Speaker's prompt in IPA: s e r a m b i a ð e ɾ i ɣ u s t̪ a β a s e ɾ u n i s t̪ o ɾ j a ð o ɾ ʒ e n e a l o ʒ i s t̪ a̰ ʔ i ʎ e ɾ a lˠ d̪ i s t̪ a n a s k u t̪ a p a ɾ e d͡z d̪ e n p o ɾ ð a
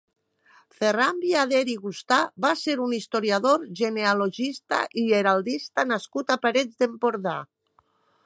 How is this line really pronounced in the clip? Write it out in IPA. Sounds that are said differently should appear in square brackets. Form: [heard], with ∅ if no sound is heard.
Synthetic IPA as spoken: [f] e r a m b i a ð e ɾ i ɣ u s t̪ a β a s e ɾ u n i s t̪ o ɾ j a ð o ɾ ʒ e n e a l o ʒ i s t̪ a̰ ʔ i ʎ e ɾ a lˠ d̪ i s t̪ a n a s k u t̪ a p a ɾ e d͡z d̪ e [m] p o ɾ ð a

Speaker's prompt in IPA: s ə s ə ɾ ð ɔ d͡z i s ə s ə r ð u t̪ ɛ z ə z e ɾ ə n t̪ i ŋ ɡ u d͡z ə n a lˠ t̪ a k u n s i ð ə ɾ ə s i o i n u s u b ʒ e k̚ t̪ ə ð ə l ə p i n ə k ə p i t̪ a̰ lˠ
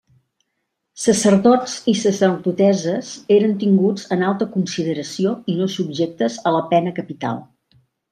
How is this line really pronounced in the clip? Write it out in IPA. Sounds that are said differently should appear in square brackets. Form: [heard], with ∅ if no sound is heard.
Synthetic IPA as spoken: s ə s ə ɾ ð ɔ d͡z i s ə s ə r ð u t̪ ɛ z ə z e ɾ ə n t̪ i ŋ ɡ u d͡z ə n a lˠ t̪ [ə] k u n s i ð ə ɾ ə s i o i n [o] s u b ʒ e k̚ t̪ ə [z] ə l ə p [ɛ] n ə k ə p i t̪ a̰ lˠ

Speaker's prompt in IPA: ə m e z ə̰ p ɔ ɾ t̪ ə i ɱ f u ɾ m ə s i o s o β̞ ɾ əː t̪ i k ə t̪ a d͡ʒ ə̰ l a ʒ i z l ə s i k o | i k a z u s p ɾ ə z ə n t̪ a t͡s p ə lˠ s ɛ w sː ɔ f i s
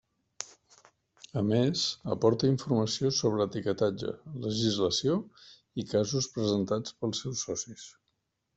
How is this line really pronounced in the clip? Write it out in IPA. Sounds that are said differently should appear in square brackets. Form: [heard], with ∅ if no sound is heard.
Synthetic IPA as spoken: ə m e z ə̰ p ɔ ɾ t̪ ə i ɱ f u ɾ m ə s i o s o β̞ ɾ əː t̪ i k ə t̪ a d͡ʒ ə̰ l [ə] ʒ i z l ə s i [∅] o | i k a z u s p ɾ ə z ə n t̪ a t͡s p ə lˠ s ɛ w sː ɔ [s] i s

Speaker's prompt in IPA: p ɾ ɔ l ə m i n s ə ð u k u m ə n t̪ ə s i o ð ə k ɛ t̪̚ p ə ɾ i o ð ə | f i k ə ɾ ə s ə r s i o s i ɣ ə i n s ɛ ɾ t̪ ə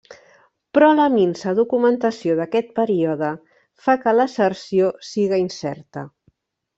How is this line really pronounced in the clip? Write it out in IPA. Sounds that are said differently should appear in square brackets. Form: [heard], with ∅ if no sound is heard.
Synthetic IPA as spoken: p ɾ ɔ l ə m i n s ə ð u k u m ə n t̪ ə s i o ð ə k ɛ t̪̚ p ə ɾ i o ð ə | f [a] k ə [l] ə s ə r s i o s i ɣ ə i n s ɛ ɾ t̪ ə

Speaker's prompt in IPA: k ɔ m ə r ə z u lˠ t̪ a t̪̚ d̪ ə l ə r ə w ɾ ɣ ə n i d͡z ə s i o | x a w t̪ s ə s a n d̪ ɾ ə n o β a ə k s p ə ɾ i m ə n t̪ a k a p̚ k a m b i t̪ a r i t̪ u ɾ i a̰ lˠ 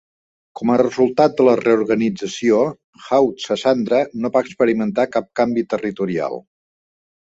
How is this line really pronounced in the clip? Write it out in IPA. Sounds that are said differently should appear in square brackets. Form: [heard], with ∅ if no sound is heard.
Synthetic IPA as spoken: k ɔ m ə r ə z u lˠ t̪ a t̪̚ d̪ ə l ə r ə [u] ɾ ɣ ə n i d͡z ə s i o | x a w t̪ s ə s a n d̪ ɾ ə n o β a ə k s p ə ɾ i m ə n t̪ a k a p̚ k a m b i t̪ [ə] r i t̪ u ɾ i a̰ lˠ

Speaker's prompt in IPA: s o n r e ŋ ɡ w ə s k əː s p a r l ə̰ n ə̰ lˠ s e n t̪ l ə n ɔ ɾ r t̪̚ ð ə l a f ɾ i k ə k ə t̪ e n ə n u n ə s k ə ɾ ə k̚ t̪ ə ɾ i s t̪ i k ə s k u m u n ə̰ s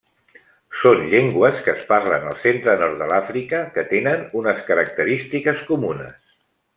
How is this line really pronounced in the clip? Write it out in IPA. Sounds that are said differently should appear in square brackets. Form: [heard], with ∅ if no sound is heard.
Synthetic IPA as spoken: s o n [ʎ] e ŋ ɡ w ə s k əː s p a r l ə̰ n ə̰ lˠ s e n t̪ [ɾ] ə n ɔ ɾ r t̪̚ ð ə l a f ɾ i k ə k ə t̪ e n ə n u n ə s k ə ɾ ə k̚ t̪ ə ɾ i s t̪ i k ə s k u m u n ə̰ s

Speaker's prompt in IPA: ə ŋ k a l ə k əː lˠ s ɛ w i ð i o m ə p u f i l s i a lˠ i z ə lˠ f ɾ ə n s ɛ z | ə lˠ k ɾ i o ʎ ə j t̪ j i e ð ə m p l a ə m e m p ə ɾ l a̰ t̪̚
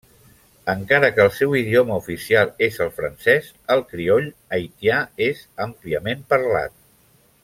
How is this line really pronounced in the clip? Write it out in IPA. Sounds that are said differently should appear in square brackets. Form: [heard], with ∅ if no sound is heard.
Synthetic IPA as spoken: ə ŋ k a [ɾ] ə k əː lˠ s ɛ w i ð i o m ə [∅] u f i [∅] s i a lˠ [e] z ə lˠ f ɾ ə n s ɛ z | ə lˠ k ɾ i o ʎ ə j t̪ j [a] e [z] ə m p l [i] ə m e m p ə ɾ l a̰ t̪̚

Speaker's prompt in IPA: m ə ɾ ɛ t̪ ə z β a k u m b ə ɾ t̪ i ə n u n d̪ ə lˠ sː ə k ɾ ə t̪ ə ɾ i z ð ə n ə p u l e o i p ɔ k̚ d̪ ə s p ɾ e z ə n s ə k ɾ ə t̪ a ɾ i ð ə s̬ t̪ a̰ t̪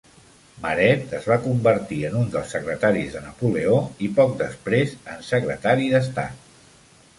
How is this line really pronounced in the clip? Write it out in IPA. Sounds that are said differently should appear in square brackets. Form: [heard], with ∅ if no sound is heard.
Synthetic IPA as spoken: m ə ɾ ɛ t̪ ə z β a k u m b ə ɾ t̪ i ə n u n d̪ ə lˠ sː ə k ɾ ə t̪ [a] ɾ i z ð ə n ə p u l e o i p ɔ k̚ d̪ ə s p ɾ e z ə n s ə k ɾ ə t̪ a ɾ i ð ə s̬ t̪ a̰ t̪

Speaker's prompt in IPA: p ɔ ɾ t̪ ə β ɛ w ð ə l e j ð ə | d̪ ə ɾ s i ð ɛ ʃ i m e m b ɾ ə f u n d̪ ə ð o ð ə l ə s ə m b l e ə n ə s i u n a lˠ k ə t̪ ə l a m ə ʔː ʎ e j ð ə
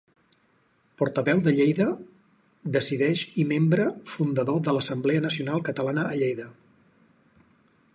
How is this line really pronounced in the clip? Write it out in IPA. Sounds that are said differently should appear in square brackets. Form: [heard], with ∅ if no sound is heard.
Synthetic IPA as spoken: p ɔ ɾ t̪ ə β ɛ w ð ə [ʎ] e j ð ə | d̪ ə [∅] s i ð ɛ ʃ i m e m b ɾ ə f u n d̪ ə ð o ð ə l ə s ə m b l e ə n ə s i u n a lˠ k ə t̪ ə l a [n] ə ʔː ʎ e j ð ə

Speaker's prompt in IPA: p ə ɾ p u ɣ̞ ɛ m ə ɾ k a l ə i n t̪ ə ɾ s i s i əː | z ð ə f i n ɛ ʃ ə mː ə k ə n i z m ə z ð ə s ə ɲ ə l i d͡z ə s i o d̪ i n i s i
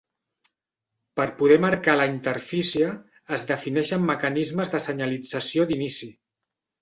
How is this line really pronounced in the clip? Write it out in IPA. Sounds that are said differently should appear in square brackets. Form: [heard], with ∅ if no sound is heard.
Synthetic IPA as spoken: p ə ɾ p u [ð̞] ɛ m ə ɾ k a l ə i n t̪ ə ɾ [f] i s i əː | z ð ə f i n ɛ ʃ ə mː ə k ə n i z m ə z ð ə s ə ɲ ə l i d͡z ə s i o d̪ i n i s i

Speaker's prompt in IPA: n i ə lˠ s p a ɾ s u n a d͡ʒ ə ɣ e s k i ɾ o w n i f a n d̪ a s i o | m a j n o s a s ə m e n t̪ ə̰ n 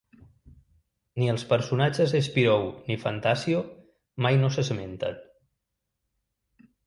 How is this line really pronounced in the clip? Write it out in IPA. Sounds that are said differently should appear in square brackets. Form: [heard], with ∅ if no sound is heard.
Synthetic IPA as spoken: n i ə lˠ s p [ə] ɾ s u n a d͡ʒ ə [z] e s [p] i ɾ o w n i f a n [t̪] a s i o | m a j n o s [ə] s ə m e n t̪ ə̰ n

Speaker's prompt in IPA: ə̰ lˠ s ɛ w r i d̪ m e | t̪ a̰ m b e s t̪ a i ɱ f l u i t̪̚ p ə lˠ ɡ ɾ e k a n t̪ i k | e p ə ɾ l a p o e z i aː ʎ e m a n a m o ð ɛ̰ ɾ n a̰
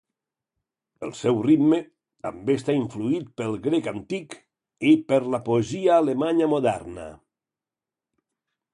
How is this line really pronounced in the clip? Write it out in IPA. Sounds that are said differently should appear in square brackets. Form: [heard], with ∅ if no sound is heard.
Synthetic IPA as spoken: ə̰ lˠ s ɛ w r i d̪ m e | t̪ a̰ m b e s t̪ a i ɱ f l u i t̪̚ p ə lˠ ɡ ɾ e k a n t̪ i k | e p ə ɾ l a p o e z i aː [l] e m a [ɲ] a m o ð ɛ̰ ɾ n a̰

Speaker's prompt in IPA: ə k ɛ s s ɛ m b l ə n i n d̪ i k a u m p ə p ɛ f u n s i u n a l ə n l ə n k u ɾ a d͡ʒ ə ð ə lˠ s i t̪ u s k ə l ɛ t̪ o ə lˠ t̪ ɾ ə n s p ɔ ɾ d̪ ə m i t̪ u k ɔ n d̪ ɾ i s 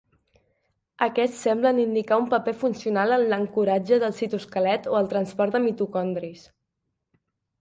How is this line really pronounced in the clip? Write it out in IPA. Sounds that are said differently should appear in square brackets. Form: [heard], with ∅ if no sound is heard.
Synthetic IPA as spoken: ə k ɛ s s ɛ m b l ə n i n d̪ i k a u m p ə p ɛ f u n s i u n a l ə n l ə [ŋ] k u ɾ a d͡ʒ ə ð ə lˠ s i t̪ u s k ə l ɛ t̪ o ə lˠ t̪ ɾ ə n s p ɔ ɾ d̪ ə m i t̪ u k ɔ n d̪ ɾ i s

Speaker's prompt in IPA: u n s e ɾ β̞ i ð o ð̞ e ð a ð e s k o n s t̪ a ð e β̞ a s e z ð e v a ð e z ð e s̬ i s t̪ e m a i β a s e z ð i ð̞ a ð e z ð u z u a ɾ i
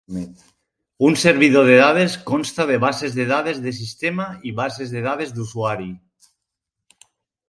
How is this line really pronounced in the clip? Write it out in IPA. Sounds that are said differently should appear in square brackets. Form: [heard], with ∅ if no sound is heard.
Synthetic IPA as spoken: u n s e ɾ β̞ i ð o ð̞ e ð a ð e s k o n s t̪ a ð e β̞ a s e z ð e [ð] a ð e z ð e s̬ i s t̪ e m a i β a s e z ð [e] ð̞ a ð e z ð u [s] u a ɾ i

